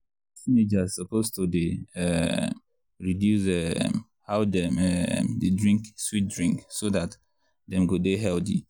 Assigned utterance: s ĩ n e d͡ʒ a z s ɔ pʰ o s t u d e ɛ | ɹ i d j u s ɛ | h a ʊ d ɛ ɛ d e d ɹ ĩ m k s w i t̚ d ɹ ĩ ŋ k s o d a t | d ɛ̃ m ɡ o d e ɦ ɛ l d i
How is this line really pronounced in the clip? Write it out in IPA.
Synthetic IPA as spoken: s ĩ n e d͡ʒ a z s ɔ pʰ o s t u d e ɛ | ɹ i d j u s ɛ | h a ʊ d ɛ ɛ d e d ɹ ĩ ŋ k s w i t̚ d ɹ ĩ ŋ k s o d a t | d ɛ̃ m ɡ o d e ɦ ɛ l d i